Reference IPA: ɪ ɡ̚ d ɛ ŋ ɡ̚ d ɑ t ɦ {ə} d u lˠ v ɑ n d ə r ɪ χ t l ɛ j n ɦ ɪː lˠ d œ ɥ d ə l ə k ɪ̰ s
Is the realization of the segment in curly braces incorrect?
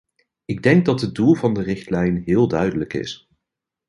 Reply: no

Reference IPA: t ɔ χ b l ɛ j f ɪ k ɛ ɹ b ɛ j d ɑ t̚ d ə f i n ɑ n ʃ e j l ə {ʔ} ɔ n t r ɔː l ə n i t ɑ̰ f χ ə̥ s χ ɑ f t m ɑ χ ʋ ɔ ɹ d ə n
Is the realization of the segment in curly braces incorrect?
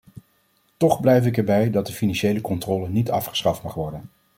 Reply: yes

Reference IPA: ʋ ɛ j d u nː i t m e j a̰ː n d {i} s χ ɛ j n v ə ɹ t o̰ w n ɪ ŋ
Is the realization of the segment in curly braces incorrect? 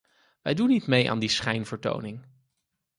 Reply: no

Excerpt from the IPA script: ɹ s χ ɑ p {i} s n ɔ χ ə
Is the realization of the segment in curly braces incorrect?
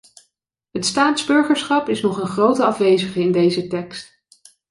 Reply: yes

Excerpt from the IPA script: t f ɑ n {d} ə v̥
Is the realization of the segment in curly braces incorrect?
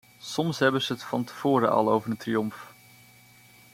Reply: yes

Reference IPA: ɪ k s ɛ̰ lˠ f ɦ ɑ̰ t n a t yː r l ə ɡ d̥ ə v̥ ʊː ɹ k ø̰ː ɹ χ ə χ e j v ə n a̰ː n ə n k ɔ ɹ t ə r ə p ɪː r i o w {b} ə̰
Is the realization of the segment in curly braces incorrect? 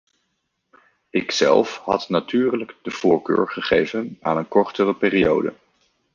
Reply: yes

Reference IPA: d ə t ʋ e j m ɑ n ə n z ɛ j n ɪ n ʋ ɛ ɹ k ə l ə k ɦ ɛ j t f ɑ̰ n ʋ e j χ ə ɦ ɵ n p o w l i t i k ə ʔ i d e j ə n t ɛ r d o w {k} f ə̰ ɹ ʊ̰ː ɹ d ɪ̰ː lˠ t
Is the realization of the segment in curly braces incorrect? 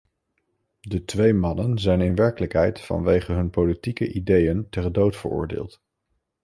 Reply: yes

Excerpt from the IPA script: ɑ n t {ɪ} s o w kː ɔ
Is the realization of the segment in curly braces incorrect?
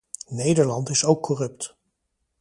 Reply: no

